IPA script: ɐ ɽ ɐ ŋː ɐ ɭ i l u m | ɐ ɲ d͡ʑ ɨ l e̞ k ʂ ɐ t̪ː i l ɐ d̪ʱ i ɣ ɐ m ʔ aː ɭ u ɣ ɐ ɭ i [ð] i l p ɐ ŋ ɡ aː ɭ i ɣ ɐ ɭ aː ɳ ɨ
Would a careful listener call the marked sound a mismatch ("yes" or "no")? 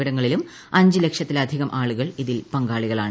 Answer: no